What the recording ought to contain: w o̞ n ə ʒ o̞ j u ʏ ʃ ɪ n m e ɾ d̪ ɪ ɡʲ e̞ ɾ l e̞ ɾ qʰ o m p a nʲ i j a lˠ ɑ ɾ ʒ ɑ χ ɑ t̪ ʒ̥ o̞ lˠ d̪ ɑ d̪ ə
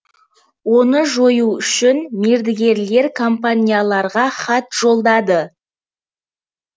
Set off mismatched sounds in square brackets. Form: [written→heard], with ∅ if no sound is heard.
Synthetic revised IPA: w o̞ n ə ʒ o̞ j u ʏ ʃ ɪ n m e ɾ d̪ ɪ ɡʲ e̞ ɾ l e̞ ɾ [qʰ→kʰ] o m p a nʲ i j a lˠ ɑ ɾ [ʒ→ʁ] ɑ χ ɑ t̪ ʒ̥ o̞ lˠ d̪ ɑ d̪ ə